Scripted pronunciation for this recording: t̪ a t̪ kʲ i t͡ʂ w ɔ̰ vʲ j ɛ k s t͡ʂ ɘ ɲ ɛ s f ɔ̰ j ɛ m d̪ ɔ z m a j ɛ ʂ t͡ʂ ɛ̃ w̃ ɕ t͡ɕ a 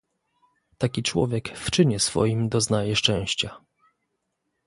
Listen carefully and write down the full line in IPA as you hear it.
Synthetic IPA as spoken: t̪ a kʲ i t͡ʂ w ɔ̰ vʲ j ɛ k f t͡ʂ ɘ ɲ ɛ s f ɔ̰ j i m d̪ ɔ z n a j ɛ ʂ t͡ʂ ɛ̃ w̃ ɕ t͡ɕ a